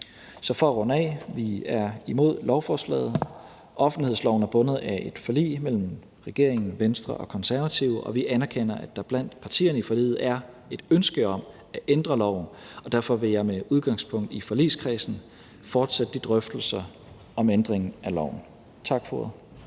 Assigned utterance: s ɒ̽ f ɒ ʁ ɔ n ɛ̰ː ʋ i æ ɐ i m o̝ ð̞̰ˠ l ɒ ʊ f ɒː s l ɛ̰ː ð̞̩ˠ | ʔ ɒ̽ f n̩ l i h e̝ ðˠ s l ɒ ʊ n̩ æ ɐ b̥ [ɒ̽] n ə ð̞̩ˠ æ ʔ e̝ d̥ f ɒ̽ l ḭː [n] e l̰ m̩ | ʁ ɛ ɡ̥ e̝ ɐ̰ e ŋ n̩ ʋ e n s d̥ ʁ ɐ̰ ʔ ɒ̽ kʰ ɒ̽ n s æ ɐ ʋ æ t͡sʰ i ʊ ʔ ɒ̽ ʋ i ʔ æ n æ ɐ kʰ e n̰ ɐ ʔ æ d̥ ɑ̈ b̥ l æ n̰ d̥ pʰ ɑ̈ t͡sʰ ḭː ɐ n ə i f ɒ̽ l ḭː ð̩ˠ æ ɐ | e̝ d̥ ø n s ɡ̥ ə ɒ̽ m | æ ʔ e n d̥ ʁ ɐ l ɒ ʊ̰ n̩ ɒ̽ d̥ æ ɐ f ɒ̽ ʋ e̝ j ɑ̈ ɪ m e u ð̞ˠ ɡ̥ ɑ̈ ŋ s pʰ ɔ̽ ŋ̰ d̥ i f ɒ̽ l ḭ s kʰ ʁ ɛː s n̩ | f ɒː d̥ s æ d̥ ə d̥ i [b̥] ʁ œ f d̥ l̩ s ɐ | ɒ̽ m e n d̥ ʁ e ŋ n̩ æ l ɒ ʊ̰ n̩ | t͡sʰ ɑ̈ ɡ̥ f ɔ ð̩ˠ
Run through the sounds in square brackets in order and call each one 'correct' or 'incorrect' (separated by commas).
incorrect, incorrect, incorrect